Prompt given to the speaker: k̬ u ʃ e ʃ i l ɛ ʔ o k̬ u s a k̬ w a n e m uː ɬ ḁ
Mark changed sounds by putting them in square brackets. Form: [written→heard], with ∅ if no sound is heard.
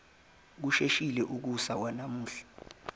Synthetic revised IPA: k̬ u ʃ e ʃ i l ɛ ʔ [o→u] k̬ u s a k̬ w a n [e→a] m uː ɬ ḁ